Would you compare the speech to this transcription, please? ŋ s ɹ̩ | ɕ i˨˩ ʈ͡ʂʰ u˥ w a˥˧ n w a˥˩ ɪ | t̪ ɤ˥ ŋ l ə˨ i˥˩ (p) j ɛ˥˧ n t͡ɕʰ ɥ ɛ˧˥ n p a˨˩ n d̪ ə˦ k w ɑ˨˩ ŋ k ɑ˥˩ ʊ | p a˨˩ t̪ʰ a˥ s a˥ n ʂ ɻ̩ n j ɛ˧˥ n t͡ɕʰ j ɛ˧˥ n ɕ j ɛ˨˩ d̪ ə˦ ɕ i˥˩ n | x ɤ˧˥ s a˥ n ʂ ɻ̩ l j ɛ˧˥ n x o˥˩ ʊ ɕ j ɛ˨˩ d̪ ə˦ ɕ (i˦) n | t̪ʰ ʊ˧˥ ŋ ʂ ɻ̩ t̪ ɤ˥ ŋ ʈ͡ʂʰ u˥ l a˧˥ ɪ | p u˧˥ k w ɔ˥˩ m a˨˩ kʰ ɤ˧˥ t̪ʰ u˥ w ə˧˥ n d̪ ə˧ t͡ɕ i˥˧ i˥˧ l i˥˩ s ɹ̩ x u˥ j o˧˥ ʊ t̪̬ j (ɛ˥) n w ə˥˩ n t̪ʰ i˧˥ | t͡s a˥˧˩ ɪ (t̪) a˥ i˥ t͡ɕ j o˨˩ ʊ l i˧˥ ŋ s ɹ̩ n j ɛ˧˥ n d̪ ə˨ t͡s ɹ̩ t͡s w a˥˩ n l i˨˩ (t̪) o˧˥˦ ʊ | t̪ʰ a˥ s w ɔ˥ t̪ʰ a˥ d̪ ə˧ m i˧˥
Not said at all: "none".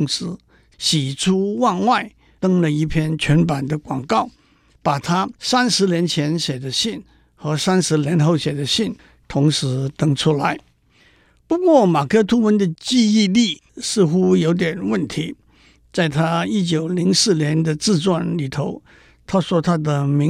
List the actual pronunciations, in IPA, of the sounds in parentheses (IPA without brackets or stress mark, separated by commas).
pʰ, i˥˩, ɛ˨˩, t̪ʰ, t̪ʰ